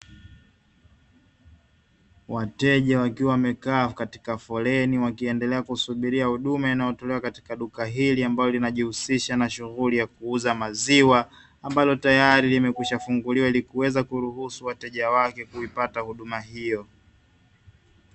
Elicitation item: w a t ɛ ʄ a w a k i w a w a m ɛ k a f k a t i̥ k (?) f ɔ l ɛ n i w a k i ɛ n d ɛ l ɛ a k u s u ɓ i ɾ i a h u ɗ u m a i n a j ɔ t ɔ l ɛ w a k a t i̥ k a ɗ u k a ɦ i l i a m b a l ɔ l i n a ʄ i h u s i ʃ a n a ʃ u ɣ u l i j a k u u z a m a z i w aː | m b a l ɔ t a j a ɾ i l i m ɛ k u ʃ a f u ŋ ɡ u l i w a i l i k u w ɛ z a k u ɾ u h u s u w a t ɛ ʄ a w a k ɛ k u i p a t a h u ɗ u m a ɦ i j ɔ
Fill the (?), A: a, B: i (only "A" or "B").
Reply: A